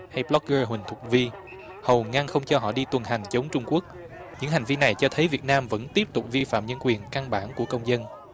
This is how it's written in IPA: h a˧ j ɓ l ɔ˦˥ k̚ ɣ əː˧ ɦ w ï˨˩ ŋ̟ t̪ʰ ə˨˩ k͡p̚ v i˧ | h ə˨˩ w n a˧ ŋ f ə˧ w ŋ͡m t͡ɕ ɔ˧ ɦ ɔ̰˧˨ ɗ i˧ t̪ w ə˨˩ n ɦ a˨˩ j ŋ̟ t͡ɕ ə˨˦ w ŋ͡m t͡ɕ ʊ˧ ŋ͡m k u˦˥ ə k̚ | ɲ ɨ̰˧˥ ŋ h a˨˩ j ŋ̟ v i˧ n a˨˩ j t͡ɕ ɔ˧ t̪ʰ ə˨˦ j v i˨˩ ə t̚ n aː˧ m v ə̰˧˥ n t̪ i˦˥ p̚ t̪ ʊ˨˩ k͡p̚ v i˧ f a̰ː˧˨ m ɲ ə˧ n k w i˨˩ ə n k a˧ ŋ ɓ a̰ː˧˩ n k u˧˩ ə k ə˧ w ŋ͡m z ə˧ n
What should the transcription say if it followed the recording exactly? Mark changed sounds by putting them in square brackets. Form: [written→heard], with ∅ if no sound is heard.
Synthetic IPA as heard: h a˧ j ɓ l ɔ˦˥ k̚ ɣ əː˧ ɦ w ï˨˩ ŋ̟ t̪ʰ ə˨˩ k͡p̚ v i˧ | h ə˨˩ w [n→ŋ] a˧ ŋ [f→x] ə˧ w ŋ͡m t͡ɕ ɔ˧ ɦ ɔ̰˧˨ ɗ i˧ t̪ w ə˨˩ n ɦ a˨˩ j ŋ̟ t͡ɕ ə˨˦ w ŋ͡m t͡ɕ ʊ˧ ŋ͡m k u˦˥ ə k̚ | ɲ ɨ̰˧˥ ŋ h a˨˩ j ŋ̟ v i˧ n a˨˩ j t͡ɕ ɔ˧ t̪ʰ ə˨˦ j v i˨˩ ə t̚ n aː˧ m v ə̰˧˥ n t̪ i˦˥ p̚ t̪ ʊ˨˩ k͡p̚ v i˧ f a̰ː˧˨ m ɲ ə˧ n k w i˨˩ ə n k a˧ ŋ ɓ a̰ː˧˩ n k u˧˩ ə k ə˧ w ŋ͡m z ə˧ n